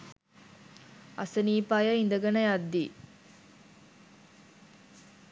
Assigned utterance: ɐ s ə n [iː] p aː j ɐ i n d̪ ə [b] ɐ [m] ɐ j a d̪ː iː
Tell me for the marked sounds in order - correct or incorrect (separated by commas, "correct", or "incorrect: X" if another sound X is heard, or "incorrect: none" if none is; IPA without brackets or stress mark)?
correct, incorrect: ɡ, incorrect: n